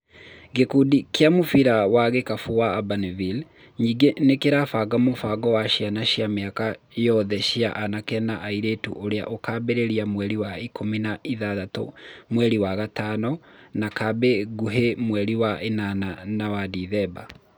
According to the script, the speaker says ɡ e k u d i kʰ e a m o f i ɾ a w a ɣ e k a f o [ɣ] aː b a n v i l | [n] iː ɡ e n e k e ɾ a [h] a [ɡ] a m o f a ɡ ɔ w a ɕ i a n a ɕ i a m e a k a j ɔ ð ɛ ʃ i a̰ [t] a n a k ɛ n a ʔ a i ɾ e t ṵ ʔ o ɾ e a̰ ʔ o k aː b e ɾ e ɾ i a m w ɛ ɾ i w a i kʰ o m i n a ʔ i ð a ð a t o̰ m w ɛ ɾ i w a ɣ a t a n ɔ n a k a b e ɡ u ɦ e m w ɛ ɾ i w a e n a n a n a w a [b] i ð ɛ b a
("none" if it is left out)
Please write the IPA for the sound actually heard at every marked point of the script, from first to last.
w, ɲ, f, ɡ, ʔ, d

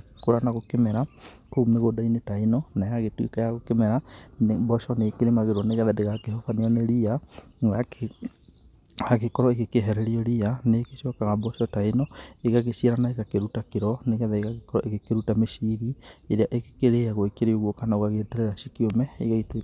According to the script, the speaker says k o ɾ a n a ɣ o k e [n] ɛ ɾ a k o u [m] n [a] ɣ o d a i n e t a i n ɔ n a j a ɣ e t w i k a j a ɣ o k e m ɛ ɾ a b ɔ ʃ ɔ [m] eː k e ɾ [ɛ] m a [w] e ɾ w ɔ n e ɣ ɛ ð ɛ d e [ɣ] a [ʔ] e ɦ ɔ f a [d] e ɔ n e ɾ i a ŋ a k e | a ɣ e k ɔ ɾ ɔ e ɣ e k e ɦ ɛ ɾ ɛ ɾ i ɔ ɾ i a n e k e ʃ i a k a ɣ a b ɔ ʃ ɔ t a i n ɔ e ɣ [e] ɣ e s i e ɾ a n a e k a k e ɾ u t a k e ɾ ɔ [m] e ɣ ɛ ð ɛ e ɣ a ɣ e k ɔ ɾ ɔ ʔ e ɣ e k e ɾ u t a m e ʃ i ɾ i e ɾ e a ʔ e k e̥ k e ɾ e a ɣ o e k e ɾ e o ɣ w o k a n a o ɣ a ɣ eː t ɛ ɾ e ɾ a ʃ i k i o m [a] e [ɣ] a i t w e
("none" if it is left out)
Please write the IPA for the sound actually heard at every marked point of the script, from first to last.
m, m, e, n, e, ɣ, ɣ, k, n, a, n, ɛ, ɣ

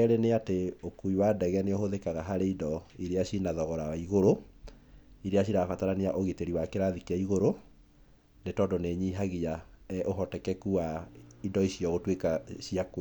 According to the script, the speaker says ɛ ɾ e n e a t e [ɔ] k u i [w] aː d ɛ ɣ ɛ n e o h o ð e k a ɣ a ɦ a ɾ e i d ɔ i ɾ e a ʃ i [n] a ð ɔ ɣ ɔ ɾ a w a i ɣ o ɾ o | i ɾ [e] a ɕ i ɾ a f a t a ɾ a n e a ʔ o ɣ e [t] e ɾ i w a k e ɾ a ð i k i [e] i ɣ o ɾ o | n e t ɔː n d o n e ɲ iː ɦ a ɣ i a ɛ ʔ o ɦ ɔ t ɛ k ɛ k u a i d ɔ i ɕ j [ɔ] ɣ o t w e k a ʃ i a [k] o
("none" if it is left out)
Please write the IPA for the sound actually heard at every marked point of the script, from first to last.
o, w, n, e, t, a, ɔ, k

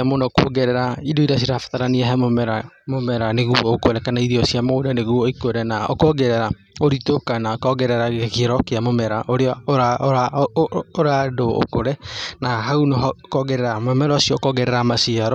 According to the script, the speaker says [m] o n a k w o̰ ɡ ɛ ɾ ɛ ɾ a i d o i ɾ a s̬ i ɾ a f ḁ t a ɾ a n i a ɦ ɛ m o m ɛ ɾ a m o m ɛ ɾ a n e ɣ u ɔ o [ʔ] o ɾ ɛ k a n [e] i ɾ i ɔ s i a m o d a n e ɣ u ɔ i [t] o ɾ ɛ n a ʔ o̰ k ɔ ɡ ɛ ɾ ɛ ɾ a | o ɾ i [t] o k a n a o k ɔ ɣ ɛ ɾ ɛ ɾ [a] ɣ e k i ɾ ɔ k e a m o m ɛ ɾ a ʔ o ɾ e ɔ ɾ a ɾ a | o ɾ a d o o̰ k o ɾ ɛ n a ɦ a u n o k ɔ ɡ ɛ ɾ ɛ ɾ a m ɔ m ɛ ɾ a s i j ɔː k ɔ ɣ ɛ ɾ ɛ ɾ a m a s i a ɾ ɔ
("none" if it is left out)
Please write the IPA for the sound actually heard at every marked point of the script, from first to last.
m, k, a, k, t, a

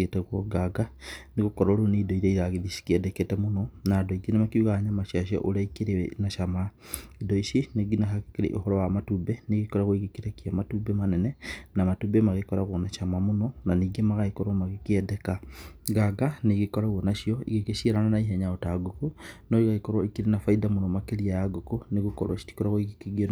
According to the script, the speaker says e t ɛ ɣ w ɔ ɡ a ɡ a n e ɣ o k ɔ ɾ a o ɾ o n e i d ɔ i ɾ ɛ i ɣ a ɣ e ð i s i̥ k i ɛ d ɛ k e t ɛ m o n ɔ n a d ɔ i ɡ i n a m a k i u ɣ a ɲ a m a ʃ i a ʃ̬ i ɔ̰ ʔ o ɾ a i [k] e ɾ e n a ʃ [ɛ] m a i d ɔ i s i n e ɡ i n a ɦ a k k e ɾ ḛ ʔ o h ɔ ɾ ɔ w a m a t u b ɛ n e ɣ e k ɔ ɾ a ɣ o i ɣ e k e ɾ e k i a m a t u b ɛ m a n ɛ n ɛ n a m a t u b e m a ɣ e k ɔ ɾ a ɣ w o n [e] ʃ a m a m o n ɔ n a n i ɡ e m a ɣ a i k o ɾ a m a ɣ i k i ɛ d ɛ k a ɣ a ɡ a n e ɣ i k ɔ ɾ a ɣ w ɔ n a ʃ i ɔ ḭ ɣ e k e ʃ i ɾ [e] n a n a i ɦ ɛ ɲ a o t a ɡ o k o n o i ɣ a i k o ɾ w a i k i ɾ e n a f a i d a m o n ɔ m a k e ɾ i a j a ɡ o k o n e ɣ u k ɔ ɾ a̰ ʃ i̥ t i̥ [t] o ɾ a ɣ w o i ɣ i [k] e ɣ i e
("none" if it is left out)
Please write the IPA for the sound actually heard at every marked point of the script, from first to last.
k, a, a, a, k, k

